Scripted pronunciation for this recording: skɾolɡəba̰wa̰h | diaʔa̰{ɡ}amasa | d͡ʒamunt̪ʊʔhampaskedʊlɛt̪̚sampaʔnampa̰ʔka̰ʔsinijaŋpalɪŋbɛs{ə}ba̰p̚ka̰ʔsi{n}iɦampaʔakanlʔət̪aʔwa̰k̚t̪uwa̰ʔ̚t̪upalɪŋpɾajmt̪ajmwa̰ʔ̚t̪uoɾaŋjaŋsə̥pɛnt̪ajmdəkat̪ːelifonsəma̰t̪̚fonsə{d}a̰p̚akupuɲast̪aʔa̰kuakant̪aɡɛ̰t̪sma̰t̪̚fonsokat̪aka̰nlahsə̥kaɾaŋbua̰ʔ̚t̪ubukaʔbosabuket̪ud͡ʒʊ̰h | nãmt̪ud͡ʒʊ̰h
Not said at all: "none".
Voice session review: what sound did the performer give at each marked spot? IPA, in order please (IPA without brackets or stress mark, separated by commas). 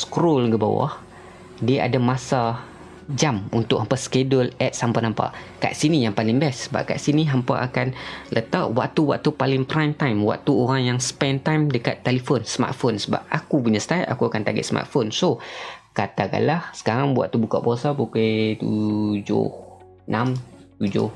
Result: d, ə, n, b